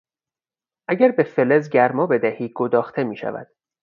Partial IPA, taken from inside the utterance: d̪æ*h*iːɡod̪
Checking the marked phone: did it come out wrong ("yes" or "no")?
no